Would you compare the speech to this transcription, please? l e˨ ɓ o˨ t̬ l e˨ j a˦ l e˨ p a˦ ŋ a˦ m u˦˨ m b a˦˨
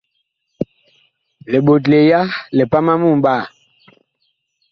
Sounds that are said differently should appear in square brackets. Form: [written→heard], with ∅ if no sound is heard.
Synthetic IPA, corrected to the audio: l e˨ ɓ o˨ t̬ l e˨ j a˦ l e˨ p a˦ [ŋ→m] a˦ m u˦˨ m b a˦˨